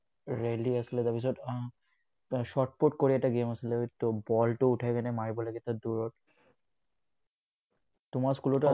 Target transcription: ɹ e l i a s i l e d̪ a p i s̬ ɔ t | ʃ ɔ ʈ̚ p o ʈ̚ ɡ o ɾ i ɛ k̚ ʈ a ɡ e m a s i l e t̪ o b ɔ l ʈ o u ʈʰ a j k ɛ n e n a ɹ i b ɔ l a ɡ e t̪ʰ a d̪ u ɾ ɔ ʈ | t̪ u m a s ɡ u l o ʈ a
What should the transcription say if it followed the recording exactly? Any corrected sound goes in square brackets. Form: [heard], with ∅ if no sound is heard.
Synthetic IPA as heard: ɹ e l i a s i l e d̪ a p i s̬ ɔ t | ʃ ɔ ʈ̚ p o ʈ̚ [k] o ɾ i ɛ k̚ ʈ a ɡ e m a s i l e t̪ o b ɔ l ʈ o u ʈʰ a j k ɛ n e [m] a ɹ i b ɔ l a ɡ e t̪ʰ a d̪ u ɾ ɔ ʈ | t̪ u m a s [k] u l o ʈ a